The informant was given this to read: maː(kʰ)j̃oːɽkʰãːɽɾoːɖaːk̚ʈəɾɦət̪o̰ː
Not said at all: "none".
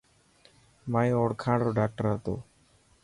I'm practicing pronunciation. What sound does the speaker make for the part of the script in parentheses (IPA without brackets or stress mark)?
none